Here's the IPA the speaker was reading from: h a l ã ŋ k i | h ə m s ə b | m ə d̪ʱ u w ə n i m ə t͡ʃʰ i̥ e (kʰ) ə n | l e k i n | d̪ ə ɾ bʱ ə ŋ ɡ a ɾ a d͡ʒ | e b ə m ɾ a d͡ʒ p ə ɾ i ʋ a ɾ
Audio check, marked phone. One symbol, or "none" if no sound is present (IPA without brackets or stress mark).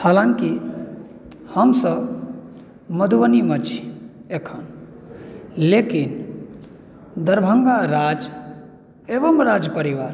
kʰ